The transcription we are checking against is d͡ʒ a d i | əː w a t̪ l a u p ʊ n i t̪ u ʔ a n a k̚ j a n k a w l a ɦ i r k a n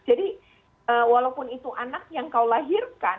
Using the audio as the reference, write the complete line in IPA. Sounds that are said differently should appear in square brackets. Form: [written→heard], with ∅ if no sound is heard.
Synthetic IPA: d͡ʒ a d i | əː w a [t̪→∅] l a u p ʊ n i t̪ u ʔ a n a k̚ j a [n→ŋ] k a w l a ɦ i r k a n